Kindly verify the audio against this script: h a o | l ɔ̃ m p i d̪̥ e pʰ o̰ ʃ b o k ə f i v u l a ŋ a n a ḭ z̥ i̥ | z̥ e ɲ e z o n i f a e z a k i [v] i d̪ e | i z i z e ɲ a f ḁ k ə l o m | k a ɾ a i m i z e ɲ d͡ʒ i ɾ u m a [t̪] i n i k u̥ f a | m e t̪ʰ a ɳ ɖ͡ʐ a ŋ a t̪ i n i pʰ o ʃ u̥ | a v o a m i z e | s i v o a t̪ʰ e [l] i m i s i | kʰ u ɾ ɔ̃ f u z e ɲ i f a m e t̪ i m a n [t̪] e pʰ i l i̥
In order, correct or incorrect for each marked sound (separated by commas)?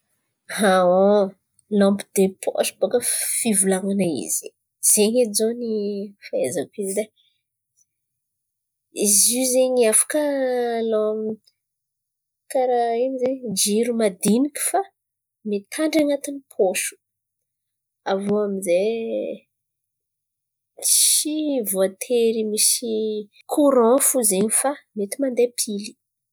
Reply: incorrect, incorrect, incorrect, incorrect